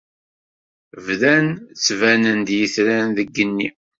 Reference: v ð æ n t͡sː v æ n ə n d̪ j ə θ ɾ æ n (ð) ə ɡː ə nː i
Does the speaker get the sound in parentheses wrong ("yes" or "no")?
no